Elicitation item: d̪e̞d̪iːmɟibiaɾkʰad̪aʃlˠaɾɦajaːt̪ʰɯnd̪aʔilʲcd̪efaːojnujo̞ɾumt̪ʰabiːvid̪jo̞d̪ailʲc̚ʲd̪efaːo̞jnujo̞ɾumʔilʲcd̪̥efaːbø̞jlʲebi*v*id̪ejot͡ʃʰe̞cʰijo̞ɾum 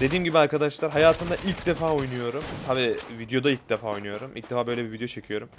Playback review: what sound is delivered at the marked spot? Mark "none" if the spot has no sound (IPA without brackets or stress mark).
v